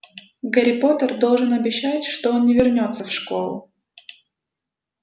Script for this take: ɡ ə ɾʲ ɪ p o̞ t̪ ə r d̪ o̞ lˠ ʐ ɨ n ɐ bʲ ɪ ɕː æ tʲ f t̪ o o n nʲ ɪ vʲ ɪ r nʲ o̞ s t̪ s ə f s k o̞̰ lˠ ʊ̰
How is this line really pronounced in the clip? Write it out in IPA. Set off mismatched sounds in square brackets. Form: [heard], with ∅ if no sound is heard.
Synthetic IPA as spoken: ɡ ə ɾʲ ɪ p o̞ t̪ ə r d̪ o̞ lˠ ʐ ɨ n ɐ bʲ ɪ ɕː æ tʲ [ʂ] t̪ o o n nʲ ɪ vʲ ɪ r nʲ o̞ [∅] t̪ s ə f [ʂ] k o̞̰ lˠ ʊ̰